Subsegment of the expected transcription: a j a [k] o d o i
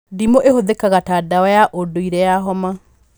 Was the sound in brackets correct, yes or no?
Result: no